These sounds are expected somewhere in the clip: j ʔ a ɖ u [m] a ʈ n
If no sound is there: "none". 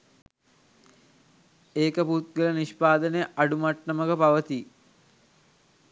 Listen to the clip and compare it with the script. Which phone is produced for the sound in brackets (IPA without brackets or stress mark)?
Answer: m